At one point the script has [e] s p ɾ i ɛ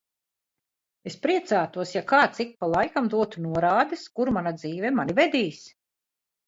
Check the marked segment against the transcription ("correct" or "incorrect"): correct